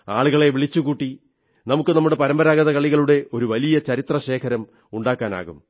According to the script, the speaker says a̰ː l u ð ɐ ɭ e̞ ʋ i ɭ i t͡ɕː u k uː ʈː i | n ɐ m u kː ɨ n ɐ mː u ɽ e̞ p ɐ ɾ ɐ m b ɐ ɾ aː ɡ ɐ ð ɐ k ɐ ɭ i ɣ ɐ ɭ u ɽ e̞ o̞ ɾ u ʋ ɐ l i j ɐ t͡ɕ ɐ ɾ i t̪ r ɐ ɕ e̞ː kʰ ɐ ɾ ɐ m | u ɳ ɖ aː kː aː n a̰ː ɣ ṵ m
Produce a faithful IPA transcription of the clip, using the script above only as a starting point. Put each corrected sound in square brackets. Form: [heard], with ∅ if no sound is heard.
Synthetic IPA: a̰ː [ɭ] u [ɣ] ɐ ɭ e̞ ʋ i ɭ i t͡ɕː u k uː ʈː i | n ɐ m u kː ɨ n ɐ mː u ɽ e̞ p ɐ ɾ ɐ m b ɐ ɾ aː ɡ ɐ ð ɐ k ɐ ɭ i ɣ ɐ ɭ u ɽ e̞ o̞ ɾ u ʋ ɐ l i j ɐ t͡ɕ ɐ ɾ i t̪ r ɐ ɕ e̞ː kʰ ɐ ɾ ɐ m | u ɳ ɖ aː kː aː n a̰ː ɣ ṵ m